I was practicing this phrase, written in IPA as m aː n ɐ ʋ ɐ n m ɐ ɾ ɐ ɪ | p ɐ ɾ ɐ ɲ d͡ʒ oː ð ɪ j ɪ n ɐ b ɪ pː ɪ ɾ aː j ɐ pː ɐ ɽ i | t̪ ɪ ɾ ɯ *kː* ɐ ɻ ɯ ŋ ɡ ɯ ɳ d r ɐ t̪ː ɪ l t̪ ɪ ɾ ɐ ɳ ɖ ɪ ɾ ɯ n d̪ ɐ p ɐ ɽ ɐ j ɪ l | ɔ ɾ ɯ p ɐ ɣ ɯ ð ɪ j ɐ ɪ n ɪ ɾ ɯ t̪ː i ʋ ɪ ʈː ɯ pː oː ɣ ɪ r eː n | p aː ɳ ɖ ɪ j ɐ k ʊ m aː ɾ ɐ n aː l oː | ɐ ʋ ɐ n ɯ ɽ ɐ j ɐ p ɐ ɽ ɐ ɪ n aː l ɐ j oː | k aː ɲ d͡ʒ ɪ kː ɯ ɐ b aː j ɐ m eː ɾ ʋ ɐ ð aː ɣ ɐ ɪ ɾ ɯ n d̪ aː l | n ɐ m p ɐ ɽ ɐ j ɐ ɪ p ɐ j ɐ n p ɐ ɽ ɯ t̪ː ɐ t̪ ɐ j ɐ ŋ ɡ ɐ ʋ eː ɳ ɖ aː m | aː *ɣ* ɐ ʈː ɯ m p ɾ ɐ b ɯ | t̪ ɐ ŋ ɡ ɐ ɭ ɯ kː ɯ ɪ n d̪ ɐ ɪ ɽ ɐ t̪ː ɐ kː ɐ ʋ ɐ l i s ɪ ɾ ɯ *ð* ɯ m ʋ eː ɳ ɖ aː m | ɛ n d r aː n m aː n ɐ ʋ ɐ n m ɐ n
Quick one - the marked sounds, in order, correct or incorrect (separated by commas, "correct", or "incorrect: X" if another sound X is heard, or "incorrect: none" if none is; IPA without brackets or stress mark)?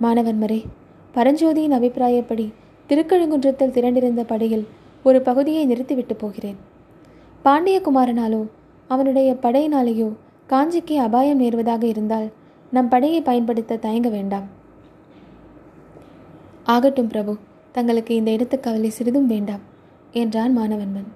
correct, correct, correct